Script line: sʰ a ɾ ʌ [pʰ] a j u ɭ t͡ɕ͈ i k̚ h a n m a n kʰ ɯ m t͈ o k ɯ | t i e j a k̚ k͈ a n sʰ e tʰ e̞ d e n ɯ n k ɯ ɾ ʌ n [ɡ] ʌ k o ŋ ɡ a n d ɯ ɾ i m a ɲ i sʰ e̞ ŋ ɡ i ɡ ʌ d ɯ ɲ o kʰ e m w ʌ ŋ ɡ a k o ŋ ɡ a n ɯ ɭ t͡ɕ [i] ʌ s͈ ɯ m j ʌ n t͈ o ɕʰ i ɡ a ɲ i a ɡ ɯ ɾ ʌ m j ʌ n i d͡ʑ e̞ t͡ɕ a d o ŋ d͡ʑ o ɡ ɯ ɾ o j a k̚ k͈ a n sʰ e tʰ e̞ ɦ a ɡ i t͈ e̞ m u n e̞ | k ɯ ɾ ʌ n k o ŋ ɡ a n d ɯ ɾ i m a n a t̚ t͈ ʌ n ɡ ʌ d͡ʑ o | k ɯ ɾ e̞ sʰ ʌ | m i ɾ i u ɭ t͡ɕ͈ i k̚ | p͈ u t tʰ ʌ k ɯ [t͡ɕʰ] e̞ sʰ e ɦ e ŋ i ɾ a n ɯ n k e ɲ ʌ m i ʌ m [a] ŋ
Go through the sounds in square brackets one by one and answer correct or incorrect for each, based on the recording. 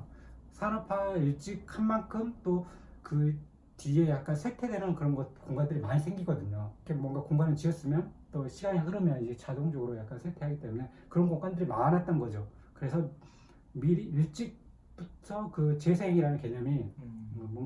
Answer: correct, correct, correct, incorrect: t͡ɕ, incorrect: ʌ

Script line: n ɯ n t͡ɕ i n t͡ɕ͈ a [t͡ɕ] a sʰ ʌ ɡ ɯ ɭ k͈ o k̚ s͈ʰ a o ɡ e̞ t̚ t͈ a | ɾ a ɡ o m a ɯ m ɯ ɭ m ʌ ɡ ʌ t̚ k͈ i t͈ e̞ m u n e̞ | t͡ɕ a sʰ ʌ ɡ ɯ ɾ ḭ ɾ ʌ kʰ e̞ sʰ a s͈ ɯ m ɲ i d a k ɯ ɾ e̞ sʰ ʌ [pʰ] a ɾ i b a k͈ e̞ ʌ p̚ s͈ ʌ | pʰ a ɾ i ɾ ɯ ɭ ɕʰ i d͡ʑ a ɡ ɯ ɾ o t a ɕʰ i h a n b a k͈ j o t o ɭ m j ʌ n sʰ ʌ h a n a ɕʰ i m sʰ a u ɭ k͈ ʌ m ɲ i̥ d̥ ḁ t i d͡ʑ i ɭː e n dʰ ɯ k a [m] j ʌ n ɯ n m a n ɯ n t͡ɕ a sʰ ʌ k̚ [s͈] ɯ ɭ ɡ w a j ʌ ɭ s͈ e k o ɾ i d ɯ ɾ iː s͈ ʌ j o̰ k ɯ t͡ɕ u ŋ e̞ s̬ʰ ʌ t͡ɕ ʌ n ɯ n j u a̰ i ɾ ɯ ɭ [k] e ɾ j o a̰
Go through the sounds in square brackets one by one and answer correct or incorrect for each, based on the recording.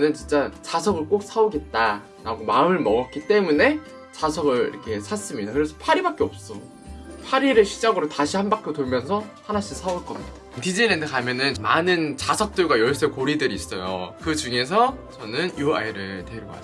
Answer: correct, correct, correct, incorrect: t͈, incorrect: t

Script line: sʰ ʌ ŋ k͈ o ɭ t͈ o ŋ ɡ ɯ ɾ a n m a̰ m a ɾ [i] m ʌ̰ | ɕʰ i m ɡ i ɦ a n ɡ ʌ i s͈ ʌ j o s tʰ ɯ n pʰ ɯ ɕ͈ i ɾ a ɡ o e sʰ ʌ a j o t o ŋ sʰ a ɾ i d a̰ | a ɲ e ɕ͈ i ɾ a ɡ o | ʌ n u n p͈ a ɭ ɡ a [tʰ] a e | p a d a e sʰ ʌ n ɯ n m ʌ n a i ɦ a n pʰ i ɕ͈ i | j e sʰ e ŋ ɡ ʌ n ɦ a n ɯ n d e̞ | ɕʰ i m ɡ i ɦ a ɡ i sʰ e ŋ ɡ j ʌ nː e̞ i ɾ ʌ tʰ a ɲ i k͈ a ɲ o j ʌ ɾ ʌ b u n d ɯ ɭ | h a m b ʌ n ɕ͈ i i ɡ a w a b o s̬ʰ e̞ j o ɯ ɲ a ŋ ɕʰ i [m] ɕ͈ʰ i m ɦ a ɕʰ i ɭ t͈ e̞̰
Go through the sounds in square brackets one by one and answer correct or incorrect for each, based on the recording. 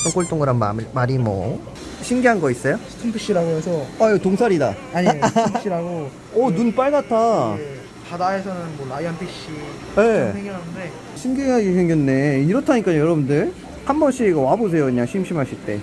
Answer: correct, correct, correct

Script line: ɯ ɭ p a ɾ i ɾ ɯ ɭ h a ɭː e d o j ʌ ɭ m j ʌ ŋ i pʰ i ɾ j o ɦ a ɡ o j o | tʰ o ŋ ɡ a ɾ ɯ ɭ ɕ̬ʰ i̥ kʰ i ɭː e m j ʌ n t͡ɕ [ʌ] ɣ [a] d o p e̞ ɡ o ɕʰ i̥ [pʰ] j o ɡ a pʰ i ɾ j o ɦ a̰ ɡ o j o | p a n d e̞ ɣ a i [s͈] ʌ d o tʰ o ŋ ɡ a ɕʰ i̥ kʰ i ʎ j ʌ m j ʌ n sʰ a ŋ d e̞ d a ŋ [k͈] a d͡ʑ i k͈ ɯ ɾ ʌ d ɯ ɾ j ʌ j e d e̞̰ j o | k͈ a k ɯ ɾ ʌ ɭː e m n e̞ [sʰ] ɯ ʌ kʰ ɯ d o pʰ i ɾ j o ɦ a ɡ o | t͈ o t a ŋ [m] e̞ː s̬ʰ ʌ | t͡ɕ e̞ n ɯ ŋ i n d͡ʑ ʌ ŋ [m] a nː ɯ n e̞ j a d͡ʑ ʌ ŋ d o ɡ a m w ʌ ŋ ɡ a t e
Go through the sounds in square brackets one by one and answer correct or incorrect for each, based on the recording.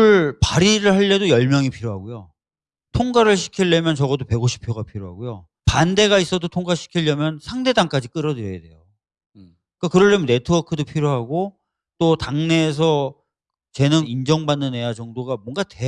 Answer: correct, incorrect: ʌ, correct, correct, correct, incorrect: tʰ, incorrect: n, incorrect: b

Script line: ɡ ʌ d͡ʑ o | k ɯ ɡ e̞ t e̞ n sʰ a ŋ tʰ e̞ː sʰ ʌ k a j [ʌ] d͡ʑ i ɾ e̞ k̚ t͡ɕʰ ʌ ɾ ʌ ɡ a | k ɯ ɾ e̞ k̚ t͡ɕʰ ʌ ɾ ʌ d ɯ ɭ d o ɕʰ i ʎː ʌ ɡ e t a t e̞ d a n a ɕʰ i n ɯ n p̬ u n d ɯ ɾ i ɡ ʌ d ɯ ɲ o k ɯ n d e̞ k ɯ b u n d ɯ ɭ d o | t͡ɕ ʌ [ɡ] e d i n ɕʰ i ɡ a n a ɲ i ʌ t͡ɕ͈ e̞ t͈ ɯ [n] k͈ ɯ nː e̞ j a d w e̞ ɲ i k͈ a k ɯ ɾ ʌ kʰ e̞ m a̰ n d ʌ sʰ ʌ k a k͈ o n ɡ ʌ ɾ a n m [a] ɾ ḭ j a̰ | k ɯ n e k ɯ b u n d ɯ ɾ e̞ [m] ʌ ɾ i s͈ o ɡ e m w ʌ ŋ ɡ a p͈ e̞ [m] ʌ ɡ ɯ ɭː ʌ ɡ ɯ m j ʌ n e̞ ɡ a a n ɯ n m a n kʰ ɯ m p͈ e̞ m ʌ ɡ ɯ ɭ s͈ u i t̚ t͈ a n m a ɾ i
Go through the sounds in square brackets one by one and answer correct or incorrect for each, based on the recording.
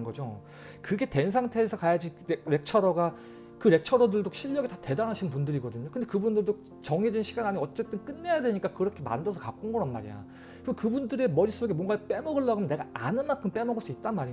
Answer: incorrect: a, incorrect: ŋ, correct, correct, correct, correct

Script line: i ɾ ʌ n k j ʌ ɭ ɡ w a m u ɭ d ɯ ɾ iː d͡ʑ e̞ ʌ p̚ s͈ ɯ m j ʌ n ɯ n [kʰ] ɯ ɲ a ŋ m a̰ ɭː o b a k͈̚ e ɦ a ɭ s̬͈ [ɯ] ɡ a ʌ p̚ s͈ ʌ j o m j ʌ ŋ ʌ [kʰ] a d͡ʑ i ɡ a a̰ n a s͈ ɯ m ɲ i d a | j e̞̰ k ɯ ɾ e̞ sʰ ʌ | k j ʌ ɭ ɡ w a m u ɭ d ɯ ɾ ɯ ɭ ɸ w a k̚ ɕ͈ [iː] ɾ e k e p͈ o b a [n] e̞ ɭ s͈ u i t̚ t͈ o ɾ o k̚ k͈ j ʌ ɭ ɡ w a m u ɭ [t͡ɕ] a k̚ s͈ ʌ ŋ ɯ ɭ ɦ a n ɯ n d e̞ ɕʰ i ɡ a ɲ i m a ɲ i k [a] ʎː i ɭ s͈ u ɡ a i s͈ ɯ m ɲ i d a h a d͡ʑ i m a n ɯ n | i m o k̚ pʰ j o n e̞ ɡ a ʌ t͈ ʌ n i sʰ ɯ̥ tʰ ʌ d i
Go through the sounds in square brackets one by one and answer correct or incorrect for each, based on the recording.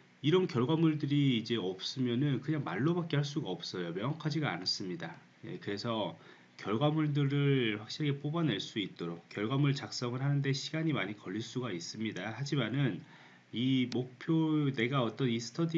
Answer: incorrect: k, incorrect: u, correct, incorrect: i, correct, correct, incorrect: ʌ

